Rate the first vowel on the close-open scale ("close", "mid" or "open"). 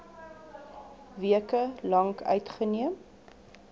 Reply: close